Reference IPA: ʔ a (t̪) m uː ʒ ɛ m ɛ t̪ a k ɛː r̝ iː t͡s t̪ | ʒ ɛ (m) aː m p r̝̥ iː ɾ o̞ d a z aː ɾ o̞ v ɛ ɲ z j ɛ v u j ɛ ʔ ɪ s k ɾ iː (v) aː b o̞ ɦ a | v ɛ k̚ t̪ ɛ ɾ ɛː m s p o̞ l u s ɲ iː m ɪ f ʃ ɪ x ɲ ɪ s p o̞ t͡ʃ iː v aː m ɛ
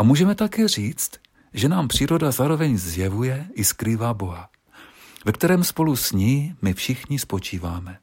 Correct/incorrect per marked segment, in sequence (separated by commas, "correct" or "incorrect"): incorrect, incorrect, correct